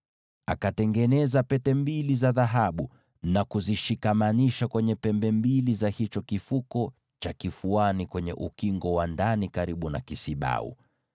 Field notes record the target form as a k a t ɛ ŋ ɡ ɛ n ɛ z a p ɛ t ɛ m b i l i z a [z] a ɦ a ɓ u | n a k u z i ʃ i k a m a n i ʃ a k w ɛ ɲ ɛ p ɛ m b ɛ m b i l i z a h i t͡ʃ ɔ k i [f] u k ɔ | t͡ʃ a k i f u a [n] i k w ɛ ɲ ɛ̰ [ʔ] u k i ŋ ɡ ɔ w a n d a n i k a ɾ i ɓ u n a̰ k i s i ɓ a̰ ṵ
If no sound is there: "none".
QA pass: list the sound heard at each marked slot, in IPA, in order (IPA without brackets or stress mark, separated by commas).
ð, f, n, ʔ